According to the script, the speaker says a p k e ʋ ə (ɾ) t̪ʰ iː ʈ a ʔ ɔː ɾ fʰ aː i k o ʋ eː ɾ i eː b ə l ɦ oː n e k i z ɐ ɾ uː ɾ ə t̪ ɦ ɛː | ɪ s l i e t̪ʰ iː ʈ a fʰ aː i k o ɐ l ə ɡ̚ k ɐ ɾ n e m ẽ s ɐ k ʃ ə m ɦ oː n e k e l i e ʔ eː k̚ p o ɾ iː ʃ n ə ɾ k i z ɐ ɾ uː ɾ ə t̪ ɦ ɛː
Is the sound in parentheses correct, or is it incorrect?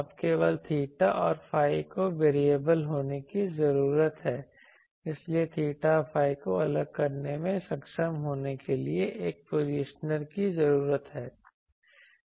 incorrect: l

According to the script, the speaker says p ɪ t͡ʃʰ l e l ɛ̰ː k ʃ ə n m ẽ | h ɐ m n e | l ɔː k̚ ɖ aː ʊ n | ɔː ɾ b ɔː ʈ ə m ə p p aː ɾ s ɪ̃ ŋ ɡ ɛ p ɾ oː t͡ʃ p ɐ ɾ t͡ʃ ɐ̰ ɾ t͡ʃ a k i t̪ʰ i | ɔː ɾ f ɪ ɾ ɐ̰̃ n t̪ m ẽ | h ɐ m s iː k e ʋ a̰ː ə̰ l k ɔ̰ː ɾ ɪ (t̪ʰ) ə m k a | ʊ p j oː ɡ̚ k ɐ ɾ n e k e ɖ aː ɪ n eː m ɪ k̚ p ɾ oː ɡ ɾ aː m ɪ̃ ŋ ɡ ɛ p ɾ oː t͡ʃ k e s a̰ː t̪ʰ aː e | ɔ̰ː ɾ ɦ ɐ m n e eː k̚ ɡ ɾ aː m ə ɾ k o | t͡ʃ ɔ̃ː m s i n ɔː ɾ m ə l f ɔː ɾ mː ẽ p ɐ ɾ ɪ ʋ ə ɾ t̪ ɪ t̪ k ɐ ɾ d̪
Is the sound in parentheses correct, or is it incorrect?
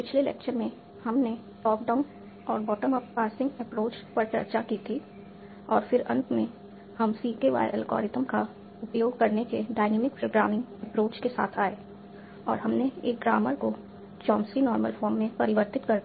incorrect: t̪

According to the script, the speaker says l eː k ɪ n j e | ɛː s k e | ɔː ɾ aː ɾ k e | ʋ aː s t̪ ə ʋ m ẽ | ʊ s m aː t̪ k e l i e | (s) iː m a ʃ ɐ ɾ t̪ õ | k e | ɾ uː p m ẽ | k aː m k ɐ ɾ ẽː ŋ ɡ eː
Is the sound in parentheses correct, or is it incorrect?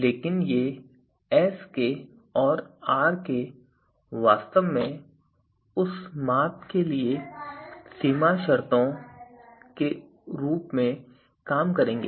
correct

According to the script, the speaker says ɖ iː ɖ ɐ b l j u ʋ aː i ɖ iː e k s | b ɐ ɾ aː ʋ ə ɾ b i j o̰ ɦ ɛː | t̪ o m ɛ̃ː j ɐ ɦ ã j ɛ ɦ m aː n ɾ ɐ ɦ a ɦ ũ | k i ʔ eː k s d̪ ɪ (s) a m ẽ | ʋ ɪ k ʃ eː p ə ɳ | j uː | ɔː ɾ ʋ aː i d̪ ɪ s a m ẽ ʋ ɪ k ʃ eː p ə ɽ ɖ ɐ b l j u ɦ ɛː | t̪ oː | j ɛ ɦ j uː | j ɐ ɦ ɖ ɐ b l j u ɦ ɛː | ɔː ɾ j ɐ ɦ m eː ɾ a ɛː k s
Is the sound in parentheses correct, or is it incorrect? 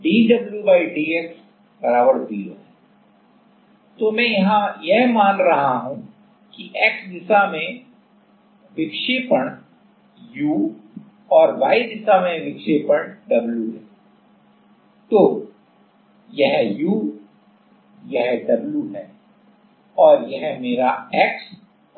correct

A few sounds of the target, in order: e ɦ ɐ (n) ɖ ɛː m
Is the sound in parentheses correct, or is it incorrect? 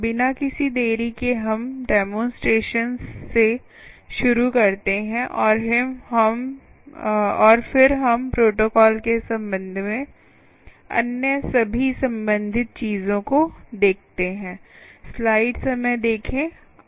incorrect: m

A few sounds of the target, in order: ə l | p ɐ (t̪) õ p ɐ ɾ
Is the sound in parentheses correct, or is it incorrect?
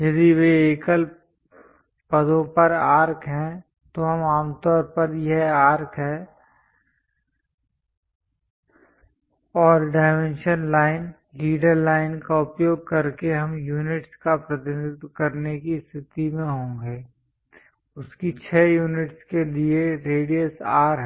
incorrect: d̪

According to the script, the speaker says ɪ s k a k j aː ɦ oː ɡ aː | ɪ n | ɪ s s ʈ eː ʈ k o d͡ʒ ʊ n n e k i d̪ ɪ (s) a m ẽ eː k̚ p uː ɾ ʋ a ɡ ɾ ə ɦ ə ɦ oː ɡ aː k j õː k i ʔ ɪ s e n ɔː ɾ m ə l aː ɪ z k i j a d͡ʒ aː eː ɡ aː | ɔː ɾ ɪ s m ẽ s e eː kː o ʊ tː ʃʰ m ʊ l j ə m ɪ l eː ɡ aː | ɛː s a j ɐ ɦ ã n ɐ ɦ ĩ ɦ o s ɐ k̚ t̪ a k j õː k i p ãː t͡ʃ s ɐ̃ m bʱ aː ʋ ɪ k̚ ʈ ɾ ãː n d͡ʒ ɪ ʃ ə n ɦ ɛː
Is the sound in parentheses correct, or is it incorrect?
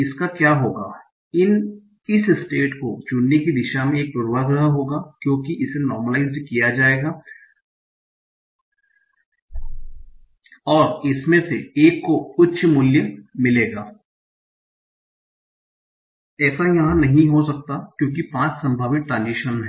incorrect: ʃ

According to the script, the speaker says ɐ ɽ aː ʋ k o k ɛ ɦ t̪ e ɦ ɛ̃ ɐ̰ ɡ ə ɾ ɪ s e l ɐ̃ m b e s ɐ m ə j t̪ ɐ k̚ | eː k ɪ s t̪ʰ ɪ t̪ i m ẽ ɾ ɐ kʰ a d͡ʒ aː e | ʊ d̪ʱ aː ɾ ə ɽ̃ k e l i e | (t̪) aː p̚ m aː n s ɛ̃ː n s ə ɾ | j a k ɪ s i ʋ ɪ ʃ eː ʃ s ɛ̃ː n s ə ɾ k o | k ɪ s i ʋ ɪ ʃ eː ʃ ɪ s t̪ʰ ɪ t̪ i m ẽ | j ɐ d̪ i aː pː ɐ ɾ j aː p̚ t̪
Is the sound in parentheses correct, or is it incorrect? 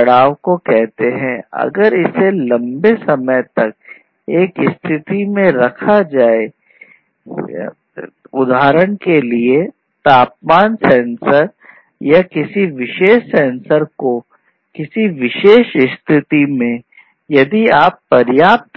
correct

